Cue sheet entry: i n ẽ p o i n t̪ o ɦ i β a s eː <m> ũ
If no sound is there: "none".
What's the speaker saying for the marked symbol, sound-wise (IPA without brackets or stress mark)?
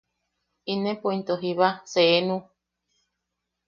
n